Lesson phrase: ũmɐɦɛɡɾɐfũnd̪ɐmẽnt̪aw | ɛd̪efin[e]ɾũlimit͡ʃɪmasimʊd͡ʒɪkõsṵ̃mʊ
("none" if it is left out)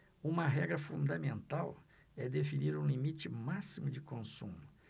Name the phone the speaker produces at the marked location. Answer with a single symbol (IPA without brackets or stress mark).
i